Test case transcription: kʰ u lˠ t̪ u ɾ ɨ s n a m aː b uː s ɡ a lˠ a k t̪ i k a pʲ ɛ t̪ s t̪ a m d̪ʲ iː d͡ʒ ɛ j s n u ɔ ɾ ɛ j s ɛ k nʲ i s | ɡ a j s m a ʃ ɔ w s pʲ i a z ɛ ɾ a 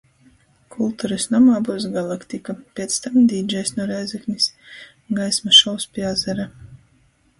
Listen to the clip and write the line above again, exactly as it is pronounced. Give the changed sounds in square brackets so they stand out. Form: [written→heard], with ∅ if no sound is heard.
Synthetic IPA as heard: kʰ u lˠ t̪ u ɾ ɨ s n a m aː b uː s ɡ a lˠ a k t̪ i k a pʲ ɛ t̪ s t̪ a m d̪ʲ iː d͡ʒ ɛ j s n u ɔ ɾ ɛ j [s→z] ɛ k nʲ i s | ɡ a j s m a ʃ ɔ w s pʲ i a z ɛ ɾ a